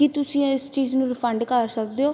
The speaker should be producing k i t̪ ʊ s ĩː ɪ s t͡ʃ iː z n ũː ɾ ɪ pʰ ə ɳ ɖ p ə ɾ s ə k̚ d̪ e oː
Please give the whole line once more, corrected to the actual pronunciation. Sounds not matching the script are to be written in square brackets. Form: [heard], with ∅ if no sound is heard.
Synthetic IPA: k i t̪ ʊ s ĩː ɪ s t͡ʃ iː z n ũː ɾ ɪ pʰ ə ɳ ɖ [k] ə ɾ s ə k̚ d̪ e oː